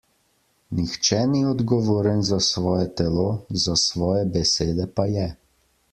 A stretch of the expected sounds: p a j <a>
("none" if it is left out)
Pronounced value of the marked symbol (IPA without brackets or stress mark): ɛ